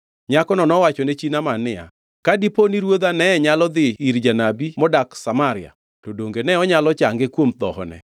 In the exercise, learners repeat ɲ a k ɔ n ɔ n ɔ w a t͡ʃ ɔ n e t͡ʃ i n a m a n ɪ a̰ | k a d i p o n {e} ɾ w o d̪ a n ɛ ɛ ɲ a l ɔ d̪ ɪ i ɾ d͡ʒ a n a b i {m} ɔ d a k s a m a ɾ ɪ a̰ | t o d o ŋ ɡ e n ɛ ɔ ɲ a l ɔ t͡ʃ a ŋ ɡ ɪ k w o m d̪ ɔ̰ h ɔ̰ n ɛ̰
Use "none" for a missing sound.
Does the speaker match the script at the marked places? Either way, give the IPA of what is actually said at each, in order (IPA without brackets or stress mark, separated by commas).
i, m